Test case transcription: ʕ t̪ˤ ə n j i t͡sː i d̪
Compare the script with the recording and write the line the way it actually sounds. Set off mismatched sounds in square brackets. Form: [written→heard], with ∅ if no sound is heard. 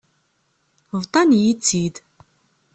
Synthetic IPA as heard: [ʕ→v] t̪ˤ [ə→ɑ] n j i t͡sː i d̪